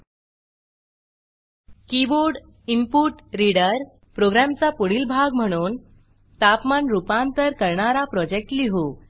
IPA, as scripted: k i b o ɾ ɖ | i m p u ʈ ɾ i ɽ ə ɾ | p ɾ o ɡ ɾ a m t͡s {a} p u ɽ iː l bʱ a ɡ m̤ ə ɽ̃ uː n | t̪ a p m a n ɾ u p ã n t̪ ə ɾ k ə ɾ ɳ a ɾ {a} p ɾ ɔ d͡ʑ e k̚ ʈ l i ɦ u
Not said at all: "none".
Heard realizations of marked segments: a, a

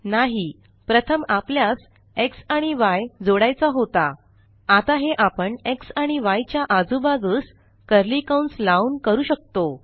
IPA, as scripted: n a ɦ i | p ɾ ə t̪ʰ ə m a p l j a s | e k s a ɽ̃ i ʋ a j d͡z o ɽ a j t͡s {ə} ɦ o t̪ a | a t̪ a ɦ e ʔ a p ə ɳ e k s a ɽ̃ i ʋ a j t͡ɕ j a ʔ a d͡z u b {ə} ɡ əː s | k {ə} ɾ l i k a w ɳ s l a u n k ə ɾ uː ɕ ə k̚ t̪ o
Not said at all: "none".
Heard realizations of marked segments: a, a, ə

